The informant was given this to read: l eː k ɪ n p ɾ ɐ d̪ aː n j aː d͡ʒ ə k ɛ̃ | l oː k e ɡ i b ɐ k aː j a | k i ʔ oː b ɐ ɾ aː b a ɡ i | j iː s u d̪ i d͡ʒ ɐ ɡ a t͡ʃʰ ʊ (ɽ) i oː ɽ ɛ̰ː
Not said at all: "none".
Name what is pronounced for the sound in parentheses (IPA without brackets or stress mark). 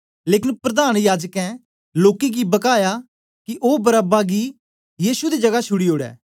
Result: ɽ